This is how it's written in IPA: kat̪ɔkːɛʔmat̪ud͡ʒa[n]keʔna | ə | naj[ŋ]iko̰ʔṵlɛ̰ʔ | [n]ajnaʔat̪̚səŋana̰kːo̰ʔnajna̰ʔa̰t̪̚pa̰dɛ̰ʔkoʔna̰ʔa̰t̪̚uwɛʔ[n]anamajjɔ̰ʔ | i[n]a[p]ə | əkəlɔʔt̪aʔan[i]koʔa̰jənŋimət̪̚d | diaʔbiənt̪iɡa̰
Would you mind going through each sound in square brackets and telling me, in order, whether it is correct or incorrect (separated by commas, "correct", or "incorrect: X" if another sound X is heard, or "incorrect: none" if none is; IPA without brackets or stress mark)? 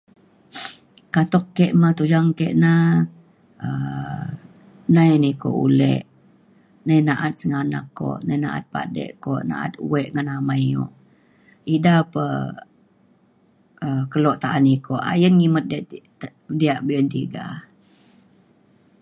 incorrect: ŋ, incorrect: n, correct, incorrect: ŋ, incorrect: d, correct, correct